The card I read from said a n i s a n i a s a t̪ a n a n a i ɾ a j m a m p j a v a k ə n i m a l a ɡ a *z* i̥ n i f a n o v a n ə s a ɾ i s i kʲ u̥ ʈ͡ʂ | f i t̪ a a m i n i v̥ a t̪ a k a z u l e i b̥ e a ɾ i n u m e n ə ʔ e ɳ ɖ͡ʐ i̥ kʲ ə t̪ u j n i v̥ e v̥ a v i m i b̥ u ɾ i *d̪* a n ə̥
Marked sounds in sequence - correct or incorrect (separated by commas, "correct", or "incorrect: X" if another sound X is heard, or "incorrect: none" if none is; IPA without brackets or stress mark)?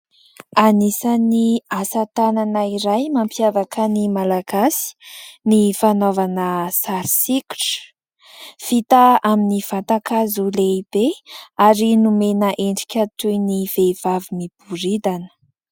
incorrect: s, correct